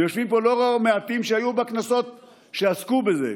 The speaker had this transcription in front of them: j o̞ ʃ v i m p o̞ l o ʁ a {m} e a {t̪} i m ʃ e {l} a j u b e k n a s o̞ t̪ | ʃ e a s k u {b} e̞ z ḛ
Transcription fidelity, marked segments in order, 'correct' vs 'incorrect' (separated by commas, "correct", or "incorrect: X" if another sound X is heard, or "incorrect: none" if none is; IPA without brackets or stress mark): correct, correct, incorrect: none, correct